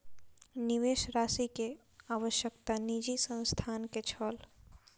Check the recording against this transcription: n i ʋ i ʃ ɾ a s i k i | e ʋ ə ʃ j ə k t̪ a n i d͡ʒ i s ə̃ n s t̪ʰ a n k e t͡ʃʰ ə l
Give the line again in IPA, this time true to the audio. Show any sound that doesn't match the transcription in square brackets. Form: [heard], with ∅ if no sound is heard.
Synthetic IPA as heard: n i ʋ [e] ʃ ɾ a s i k [e] | [a] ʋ ə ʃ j ə k t̪ a n i d͡ʒ i s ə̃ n s t̪ʰ a n k e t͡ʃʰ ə l